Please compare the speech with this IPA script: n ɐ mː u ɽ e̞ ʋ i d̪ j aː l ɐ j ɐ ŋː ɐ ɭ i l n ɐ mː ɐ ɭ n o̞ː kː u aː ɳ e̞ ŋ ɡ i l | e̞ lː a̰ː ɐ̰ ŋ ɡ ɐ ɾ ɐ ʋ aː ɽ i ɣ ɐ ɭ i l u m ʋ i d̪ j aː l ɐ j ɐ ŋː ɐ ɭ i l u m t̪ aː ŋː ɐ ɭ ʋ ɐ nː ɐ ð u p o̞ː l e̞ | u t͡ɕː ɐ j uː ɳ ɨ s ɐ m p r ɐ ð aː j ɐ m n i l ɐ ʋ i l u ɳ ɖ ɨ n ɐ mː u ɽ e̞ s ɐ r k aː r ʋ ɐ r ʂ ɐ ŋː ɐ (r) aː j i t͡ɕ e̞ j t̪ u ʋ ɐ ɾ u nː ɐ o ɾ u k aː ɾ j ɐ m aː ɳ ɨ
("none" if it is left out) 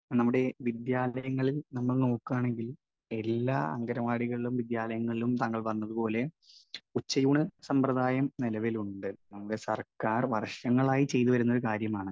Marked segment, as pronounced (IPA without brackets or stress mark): ɭ